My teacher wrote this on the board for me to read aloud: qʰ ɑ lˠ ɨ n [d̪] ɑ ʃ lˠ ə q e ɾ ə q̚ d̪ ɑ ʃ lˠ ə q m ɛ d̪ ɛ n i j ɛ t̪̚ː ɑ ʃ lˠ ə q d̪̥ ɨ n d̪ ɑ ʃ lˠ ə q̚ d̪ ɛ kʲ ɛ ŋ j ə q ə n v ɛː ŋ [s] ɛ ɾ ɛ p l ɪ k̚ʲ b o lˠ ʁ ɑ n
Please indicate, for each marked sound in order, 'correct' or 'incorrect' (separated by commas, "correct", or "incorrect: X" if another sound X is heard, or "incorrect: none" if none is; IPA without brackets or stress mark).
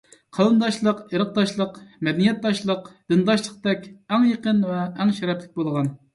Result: correct, incorrect: ʃ